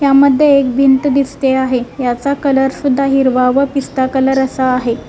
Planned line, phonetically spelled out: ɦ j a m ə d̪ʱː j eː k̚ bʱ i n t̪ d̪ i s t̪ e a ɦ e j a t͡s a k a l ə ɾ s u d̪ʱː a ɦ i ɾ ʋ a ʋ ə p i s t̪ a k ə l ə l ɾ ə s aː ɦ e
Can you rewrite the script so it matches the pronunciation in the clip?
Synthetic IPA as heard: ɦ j a m ə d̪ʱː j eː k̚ bʱ i n t̪ d̪ i s t̪ e a ɦ e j a t͡s a k ə l ə ɾ s u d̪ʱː a ɦ i ɾ ʋ a ʋ ə p i s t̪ a k ə l ə ɾ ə s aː ɦ e